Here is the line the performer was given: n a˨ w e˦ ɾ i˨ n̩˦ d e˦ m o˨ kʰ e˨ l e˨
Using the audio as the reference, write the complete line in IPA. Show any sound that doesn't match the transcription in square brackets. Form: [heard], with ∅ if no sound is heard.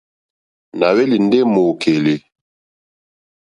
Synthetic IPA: n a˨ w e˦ [l] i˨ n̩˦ d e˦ m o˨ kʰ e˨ l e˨